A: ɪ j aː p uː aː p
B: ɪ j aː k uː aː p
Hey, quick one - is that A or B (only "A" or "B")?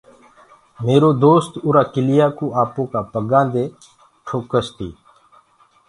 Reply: B